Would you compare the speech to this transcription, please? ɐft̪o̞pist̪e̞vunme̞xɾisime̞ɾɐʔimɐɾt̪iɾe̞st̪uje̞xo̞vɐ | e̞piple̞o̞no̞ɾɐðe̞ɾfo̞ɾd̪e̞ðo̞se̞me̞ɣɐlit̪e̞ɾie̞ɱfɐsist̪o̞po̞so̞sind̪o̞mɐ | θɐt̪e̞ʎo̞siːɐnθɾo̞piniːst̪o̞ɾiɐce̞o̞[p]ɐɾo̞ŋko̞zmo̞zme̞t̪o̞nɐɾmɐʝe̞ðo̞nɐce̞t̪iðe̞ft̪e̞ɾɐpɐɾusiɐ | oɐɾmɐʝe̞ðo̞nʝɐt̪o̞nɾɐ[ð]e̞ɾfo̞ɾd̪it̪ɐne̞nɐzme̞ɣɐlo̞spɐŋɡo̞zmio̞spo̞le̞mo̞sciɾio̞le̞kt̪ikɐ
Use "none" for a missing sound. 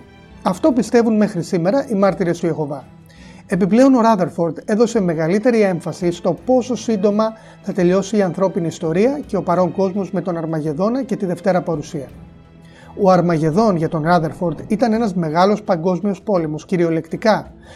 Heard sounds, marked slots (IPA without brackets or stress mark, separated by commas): p, ð